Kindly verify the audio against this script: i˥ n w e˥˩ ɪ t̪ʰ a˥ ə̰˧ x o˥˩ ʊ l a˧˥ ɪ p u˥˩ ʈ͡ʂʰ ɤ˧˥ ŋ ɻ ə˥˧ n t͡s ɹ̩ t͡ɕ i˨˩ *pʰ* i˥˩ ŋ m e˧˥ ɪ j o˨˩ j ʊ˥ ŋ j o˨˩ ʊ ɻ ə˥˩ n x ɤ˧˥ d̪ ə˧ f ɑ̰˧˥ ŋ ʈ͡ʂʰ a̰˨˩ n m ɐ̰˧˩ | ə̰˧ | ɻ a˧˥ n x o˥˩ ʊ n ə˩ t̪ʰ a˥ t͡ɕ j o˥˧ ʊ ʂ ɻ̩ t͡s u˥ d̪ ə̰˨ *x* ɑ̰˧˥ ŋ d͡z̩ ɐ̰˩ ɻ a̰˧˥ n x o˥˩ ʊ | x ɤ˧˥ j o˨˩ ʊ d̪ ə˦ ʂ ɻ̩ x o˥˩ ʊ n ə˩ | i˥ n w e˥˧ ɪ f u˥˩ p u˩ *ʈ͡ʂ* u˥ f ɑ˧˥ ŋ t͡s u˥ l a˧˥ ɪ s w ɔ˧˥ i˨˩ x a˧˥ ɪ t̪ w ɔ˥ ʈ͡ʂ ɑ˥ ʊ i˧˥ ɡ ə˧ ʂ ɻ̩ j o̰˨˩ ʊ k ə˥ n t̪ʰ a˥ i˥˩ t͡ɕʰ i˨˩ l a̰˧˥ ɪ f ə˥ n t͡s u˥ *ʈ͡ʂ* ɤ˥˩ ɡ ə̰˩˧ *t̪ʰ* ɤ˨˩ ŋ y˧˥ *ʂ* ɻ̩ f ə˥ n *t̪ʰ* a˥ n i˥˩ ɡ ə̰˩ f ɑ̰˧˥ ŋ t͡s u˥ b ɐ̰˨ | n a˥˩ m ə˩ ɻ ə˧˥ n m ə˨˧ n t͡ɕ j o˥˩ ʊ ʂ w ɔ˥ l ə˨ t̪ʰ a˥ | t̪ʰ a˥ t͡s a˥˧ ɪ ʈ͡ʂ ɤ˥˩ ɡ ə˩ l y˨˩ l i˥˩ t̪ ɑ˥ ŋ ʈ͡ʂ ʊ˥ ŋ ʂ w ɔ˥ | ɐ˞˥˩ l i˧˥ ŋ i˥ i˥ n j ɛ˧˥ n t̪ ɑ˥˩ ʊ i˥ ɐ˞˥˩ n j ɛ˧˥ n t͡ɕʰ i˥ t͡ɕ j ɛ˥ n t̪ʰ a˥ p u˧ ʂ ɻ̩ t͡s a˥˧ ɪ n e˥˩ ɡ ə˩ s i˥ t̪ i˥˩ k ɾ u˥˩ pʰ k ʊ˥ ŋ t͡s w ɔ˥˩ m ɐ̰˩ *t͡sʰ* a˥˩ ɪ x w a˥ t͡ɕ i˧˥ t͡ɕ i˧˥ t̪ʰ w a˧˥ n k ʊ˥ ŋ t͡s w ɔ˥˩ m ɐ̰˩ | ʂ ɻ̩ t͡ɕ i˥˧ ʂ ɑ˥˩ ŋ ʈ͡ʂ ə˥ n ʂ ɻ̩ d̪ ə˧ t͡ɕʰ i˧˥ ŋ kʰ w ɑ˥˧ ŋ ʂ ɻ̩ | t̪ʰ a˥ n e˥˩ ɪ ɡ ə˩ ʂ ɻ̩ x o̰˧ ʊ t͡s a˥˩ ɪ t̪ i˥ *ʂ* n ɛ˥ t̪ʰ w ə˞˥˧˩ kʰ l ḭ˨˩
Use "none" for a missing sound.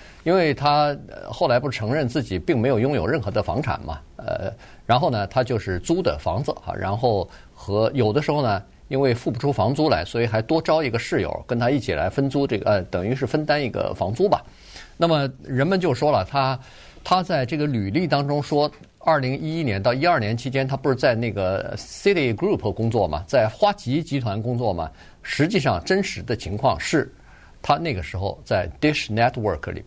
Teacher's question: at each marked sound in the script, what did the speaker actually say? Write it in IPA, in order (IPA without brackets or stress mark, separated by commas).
p, f, ʈ͡ʂʰ, ʈ͡ʂ, t̪, ʂ, t̪, t͡s, ʂ